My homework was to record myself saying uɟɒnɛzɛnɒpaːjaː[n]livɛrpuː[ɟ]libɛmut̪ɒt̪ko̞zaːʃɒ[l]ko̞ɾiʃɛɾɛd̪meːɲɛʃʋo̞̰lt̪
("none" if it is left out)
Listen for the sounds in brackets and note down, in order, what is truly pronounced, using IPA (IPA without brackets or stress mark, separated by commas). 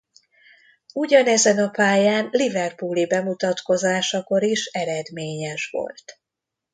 n, none, none